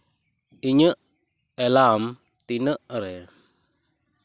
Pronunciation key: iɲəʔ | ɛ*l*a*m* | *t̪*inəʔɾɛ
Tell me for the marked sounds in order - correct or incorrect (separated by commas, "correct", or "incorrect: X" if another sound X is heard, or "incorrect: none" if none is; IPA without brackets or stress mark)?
correct, correct, correct